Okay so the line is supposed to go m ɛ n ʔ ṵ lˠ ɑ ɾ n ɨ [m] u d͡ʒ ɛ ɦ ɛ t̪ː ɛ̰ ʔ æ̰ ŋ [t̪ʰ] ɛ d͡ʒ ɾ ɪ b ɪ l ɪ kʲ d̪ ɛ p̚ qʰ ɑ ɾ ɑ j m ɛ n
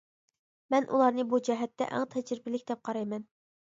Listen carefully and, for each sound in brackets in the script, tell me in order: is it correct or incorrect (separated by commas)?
incorrect, correct